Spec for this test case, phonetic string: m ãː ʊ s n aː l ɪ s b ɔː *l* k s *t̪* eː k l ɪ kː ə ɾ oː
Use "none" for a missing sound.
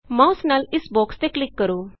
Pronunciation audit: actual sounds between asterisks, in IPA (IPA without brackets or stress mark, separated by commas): none, t̪